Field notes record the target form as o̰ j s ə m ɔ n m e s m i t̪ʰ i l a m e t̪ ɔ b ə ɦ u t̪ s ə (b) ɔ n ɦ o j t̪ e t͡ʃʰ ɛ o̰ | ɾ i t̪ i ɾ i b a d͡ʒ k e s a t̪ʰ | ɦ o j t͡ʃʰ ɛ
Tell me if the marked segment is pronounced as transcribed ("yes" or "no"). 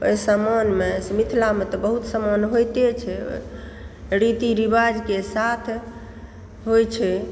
no